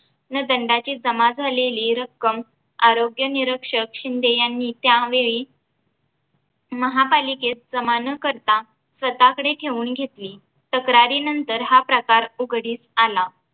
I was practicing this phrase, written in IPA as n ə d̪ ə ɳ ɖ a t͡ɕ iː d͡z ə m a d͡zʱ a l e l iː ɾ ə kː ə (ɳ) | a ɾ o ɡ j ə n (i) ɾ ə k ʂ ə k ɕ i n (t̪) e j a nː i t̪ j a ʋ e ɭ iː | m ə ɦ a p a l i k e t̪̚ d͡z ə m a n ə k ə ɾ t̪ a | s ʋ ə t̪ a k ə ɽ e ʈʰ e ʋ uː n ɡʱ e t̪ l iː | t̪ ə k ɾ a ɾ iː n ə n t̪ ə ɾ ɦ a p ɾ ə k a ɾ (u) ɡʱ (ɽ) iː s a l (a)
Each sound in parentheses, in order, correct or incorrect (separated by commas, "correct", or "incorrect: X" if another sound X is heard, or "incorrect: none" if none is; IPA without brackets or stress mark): incorrect: m, correct, incorrect: d̪, correct, correct, correct